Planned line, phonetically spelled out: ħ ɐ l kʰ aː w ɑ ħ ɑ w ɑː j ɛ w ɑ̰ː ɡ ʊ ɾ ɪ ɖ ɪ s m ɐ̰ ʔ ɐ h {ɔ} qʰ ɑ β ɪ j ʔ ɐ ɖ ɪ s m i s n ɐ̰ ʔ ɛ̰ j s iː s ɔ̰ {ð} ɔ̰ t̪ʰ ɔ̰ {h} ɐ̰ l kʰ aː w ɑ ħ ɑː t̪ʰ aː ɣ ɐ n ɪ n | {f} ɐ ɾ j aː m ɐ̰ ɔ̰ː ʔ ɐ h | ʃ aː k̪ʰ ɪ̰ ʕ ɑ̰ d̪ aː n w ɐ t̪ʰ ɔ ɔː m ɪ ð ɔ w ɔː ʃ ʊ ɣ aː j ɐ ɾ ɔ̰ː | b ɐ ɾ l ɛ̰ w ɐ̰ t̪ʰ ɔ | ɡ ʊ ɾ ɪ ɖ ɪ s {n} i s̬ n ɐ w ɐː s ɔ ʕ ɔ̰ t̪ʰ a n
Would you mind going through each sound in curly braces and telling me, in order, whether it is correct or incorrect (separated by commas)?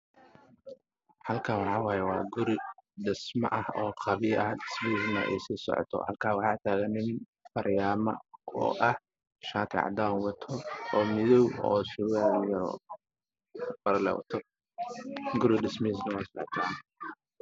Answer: incorrect, incorrect, correct, correct, incorrect